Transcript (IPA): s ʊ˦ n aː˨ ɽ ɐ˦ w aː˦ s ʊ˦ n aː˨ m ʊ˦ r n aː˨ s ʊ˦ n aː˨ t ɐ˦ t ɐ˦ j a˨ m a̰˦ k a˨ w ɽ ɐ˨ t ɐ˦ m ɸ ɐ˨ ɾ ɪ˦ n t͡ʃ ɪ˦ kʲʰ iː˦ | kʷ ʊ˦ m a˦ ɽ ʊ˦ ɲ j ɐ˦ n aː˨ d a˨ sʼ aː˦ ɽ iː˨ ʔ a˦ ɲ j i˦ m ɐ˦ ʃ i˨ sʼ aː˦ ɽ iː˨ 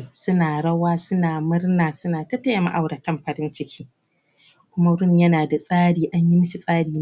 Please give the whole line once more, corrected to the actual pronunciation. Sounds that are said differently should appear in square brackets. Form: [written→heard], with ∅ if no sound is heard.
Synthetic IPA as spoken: s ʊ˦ n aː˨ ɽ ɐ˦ w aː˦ s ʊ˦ n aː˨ m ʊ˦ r n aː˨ s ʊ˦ n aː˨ t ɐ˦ t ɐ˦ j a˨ m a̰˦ [k→ʔ] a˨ w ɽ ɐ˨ t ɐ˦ m ɸ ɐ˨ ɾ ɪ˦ n t͡ʃ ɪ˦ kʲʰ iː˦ | kʷ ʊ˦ m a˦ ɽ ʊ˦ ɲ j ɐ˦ n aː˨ d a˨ sʼ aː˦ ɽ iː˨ ʔ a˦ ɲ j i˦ m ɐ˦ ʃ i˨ sʼ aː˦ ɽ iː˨